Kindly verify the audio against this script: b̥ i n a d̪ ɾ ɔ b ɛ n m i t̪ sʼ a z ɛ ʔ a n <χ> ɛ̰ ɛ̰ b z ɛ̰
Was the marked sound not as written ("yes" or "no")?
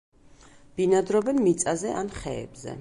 no